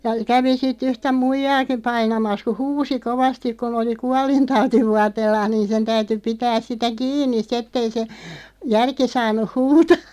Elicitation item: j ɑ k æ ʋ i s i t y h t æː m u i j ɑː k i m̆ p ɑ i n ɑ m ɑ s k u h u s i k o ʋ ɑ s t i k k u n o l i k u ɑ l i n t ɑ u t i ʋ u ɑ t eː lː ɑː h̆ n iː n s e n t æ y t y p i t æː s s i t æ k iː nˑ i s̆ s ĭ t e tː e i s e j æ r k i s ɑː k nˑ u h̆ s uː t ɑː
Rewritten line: j ɑ k æ ʋ i s i t y h t æ m u i j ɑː k i m̆ p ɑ i n ɑ m ɑ s k u h uː s i k o ʋ ɑ s t i k k u n o l i k u ɑ l i n t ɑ u t i ʋ u ɑ t eː lː ɑː h̆ n iː n s e n t æ y t y p i t æː s s i t æ k iː nˑ i s̆ s ĭ t e tː e i s e j æ r k i s ɑː nˑ u h̆ h uː t ɑː